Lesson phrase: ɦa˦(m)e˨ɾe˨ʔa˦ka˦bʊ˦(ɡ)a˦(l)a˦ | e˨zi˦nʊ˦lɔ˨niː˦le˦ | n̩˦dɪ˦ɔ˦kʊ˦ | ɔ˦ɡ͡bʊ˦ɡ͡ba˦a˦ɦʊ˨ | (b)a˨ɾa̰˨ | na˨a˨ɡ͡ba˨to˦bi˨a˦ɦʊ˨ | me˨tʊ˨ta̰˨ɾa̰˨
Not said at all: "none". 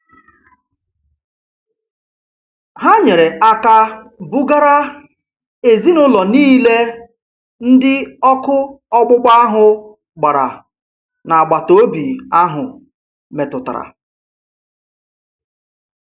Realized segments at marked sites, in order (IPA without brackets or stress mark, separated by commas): ɲ, ɡ, ɾ, ɡ͡b